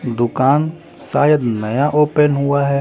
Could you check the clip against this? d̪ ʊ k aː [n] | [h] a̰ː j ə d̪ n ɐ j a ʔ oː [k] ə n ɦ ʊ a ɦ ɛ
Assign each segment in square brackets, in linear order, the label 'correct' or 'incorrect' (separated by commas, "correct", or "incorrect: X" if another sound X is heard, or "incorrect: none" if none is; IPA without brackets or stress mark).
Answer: correct, incorrect: s, incorrect: p